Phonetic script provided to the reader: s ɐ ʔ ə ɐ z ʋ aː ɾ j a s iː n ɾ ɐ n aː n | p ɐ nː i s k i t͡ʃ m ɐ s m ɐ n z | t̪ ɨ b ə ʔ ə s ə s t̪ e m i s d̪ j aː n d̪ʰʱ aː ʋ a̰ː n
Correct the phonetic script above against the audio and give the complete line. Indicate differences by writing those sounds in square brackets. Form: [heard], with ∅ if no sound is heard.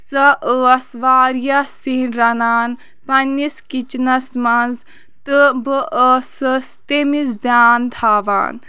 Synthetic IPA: s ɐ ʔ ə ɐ [s] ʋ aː ɾ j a s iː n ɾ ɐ n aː n | p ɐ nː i s k i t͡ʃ [n] ɐ s m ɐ n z | t̪ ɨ b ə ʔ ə s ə s t̪ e m i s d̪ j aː n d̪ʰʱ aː ʋ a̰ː n